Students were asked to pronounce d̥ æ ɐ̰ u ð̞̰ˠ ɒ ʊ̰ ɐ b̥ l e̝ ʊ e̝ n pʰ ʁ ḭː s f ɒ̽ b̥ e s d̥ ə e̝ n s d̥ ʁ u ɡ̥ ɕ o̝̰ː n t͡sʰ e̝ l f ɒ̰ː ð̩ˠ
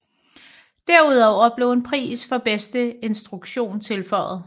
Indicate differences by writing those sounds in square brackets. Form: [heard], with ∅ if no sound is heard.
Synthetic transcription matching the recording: d̥ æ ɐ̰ u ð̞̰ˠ ɒ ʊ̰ ɐ b̥ l e̝ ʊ e̝ n pʰ ʁ ḭː s f ɒ̽ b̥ e s d̥ ə e̝ n s d̥ ʁ u ɡ̥ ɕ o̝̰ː n t͡sʰ e̝ l f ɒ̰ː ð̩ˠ